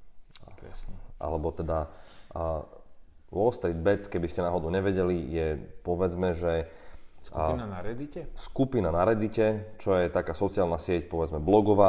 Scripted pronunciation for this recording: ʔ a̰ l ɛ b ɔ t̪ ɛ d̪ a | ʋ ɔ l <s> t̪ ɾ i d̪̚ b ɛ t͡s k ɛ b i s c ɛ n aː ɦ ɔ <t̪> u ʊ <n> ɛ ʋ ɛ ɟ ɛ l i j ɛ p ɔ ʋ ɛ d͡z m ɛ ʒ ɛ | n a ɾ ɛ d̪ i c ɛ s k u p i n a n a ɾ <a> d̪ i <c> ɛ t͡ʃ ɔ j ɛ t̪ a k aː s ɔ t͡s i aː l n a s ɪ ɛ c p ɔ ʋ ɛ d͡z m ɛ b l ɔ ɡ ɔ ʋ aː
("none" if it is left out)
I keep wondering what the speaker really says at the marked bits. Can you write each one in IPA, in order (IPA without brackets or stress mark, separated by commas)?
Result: s, d̪, ɲ, ɛ, c